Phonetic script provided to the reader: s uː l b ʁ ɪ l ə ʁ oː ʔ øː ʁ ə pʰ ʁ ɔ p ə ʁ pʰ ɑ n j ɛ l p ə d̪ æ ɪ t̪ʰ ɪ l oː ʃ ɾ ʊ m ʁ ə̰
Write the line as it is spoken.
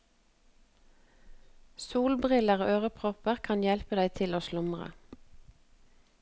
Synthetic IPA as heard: s uː l b ʁ ɪ l ə ʁ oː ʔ øː ʁ ə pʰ ʁ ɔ p ə ʁ kʰ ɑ n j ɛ l p ə d̪ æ ɪ t̪ʰ ɪ l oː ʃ l ʊ m ʁ ə̰